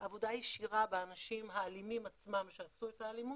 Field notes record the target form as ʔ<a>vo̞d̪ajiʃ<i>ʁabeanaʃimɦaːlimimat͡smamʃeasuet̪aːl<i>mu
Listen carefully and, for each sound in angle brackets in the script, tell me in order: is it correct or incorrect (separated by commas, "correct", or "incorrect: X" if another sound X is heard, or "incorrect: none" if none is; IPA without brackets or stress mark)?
correct, correct, correct